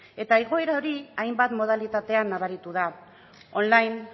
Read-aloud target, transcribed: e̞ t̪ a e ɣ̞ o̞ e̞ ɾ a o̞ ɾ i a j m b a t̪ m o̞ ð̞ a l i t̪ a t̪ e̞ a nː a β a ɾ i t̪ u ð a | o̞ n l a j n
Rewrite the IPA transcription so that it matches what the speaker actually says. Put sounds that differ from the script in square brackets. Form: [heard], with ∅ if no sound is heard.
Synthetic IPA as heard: e̞ t̪ a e ɣ̞ o̞ e̞ ɾ a o̞ ɾ i a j m b a t̪ m o̞ ð̞ a l i t̪ a t̪ e̞ a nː a β a ɾ i t̪ u ð a | o̞ n l a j n